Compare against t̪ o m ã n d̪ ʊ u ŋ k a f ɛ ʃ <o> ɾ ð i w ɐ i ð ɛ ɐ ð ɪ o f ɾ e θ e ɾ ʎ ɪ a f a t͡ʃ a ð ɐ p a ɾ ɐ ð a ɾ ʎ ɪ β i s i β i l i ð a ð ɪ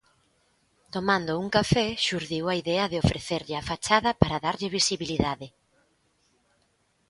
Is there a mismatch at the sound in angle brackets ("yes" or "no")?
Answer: yes